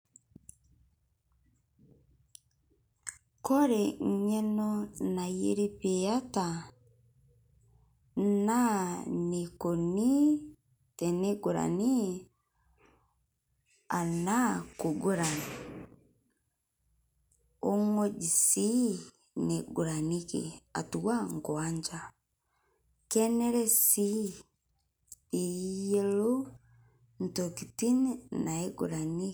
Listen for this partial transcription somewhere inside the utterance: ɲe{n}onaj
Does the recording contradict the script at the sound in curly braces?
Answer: no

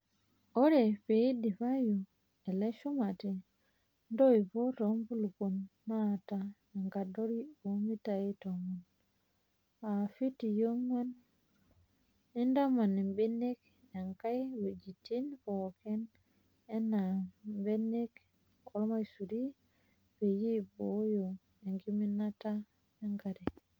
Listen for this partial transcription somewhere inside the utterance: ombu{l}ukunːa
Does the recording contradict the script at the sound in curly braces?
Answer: no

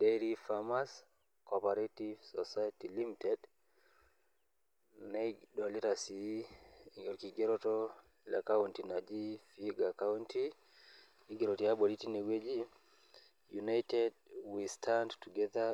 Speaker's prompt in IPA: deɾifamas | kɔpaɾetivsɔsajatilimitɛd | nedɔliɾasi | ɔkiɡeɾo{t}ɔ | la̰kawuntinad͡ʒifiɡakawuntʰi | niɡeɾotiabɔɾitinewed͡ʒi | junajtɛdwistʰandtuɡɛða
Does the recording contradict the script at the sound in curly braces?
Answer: no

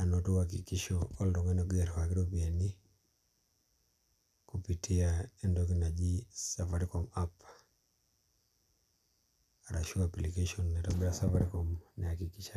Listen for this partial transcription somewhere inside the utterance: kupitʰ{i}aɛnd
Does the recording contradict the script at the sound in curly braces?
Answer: no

